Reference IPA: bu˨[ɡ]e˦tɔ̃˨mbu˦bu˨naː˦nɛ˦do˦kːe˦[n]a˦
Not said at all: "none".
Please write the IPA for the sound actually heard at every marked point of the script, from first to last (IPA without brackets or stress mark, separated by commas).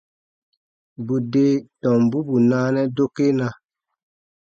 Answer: d, n